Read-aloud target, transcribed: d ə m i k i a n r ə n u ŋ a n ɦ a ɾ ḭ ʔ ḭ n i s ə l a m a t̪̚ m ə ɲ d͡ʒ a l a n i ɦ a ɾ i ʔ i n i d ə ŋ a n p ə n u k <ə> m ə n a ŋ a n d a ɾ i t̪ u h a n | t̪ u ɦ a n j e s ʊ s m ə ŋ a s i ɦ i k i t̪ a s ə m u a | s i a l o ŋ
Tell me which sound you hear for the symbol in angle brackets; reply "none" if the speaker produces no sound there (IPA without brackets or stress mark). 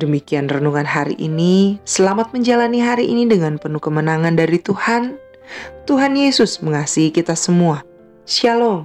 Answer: ə